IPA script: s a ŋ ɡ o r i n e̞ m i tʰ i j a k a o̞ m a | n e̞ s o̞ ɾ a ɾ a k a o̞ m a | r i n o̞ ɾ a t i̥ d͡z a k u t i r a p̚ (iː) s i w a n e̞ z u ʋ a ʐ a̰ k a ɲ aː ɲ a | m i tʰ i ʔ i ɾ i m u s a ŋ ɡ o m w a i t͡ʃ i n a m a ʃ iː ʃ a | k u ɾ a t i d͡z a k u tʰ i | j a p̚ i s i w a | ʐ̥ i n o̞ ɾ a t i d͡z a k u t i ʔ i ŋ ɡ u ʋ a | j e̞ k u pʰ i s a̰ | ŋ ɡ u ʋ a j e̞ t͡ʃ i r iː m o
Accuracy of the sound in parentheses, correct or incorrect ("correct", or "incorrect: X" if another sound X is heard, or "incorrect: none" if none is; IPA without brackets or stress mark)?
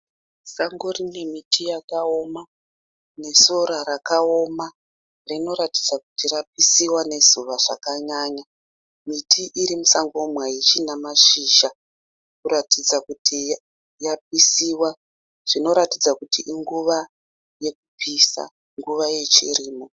incorrect: i